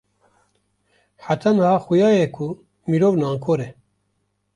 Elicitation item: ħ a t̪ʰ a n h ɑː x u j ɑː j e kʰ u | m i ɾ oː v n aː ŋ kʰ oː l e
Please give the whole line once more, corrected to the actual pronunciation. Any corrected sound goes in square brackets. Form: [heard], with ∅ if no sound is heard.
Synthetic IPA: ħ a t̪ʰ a n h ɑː x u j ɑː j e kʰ u | m i ɾ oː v n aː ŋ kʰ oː [ɾ] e

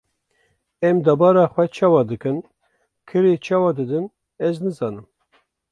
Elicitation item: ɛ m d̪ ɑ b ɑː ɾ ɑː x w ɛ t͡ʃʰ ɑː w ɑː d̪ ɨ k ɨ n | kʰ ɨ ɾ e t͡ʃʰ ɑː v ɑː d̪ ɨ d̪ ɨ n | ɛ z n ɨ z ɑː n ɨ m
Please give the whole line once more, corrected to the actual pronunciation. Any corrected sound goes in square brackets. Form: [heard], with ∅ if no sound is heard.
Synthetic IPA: ɛ m d̪ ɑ b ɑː ɾ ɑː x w ɛ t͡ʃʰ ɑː w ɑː d̪ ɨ k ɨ n | kʰ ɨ ɾ e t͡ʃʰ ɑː [w] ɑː d̪ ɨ d̪ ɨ n | ɛ z n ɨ z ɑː n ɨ m

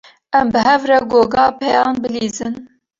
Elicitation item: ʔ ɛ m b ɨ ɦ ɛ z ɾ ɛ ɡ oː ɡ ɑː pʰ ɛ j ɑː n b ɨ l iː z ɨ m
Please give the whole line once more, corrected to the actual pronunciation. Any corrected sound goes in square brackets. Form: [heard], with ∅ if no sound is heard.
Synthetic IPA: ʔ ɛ m b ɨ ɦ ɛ [v] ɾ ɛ ɡ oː ɡ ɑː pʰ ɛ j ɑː n b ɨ l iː z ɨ [n]

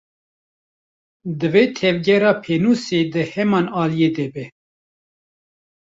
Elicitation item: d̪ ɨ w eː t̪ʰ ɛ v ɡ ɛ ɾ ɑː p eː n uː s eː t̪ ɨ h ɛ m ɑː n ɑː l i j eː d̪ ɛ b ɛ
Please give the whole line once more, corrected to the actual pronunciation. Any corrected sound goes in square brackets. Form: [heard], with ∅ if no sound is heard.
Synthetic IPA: d̪ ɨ [v] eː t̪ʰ ɛ v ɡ ɛ ɾ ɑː [pʰ] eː n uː s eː [d̪] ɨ h ɛ m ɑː n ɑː l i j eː d̪ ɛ b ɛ

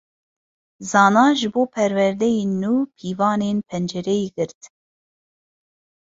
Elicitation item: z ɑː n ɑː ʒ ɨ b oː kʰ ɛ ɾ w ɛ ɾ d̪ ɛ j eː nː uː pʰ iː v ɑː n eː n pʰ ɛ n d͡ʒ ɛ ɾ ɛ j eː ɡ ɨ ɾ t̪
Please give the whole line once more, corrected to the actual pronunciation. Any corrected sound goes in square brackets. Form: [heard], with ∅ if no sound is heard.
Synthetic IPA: z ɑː n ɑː ʒ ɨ b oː [pʰ] ɛ ɾ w ɛ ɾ d̪ ɛ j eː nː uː pʰ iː v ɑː n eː n pʰ ɛ n d͡ʒ ɛ ɾ ɛ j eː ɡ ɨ ɾ t̪

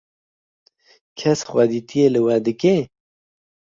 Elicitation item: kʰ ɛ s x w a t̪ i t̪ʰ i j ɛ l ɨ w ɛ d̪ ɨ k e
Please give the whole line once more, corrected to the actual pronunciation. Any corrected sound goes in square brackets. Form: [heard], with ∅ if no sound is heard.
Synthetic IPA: kʰ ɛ s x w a [d̪] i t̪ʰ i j [e] l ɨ w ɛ d̪ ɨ k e

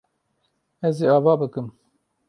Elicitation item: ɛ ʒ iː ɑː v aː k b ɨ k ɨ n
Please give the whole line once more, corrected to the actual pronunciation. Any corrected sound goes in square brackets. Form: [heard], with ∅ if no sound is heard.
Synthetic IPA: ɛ [z] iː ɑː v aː [∅] b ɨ k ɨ [m]

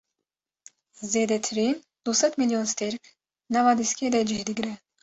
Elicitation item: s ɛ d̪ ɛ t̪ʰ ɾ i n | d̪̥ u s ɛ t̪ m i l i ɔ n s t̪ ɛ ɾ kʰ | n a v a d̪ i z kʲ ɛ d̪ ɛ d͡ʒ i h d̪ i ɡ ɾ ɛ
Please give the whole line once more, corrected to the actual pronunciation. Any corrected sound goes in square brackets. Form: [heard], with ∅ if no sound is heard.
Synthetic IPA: [z] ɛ d̪ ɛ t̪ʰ ɾ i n | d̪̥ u s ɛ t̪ m i l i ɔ n s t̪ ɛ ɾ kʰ | n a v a d̪ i [s] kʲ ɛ d̪ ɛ d͡ʒ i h d̪ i ɡ ɾ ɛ

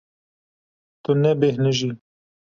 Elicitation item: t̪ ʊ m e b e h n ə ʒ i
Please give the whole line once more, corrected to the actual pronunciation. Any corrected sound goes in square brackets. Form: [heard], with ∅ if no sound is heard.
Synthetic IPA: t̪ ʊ [n] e b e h n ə ʒ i

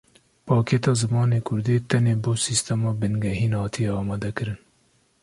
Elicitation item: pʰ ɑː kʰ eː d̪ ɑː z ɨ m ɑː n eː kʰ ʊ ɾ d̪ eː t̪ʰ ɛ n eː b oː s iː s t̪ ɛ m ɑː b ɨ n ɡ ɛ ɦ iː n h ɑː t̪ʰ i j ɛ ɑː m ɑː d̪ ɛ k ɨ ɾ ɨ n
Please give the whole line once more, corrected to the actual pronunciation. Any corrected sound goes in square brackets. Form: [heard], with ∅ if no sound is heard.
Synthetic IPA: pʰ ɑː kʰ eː [t̪] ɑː z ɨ m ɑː n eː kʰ ʊ ɾ d̪ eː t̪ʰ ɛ n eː b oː s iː s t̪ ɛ m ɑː b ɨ n ɡ ɛ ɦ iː n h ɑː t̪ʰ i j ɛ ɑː m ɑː d̪ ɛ k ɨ ɾ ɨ n

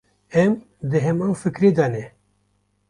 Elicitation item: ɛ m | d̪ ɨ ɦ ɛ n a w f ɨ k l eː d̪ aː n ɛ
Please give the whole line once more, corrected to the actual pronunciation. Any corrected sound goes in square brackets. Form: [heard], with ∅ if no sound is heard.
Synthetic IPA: ɛ m | d̪ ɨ ɦ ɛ [m] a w f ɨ k [ɾ] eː d̪ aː n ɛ

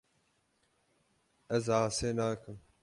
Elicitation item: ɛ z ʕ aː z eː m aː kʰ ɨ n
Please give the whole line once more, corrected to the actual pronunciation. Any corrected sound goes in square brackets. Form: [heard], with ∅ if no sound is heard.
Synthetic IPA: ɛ z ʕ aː [s] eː [n] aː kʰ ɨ [m]

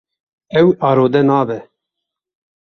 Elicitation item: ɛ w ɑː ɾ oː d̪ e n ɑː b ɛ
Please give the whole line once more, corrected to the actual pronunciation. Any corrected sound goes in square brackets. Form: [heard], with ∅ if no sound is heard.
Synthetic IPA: ɛ w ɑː ɾ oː d̪ [ɛ] n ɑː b ɛ

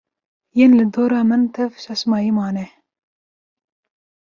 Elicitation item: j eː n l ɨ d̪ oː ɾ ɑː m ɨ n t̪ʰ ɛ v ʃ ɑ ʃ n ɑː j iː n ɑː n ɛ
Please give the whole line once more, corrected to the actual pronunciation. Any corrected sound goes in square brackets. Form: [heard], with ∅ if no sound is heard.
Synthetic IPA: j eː n l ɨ d̪ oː ɾ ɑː m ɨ n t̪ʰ ɛ v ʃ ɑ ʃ [m] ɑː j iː [m] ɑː n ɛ

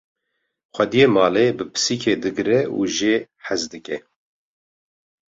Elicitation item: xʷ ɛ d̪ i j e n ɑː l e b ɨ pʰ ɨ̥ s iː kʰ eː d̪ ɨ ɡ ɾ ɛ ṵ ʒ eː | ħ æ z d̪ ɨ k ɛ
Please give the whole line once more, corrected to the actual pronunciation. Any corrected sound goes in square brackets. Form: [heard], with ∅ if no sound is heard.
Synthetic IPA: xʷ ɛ d̪ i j e [m] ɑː l e b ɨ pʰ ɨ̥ s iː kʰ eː d̪ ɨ ɡ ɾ ɛ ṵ ʒ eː | ħ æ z d̪ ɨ k ɛ

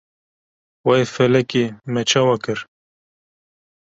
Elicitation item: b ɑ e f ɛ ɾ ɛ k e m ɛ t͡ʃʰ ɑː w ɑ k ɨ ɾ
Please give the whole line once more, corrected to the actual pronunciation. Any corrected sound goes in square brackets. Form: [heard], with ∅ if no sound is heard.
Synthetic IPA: [w] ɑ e f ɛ [l] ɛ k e m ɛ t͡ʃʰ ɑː w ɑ k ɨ ɾ

